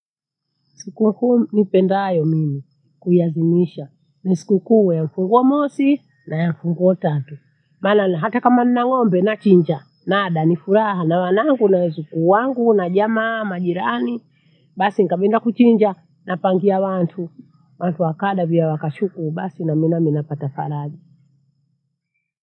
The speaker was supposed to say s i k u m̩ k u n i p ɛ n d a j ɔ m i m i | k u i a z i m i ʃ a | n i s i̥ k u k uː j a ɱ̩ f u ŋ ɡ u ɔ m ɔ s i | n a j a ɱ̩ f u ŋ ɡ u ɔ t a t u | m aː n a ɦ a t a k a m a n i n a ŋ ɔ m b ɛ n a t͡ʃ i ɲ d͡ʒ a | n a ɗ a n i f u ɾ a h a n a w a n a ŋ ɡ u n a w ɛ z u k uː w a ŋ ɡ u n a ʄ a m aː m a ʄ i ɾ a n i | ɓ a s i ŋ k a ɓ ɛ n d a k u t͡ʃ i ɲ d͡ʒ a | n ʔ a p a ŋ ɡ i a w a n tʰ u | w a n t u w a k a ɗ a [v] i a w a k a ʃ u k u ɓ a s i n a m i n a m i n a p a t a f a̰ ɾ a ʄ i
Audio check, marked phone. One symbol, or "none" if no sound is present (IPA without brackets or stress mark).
v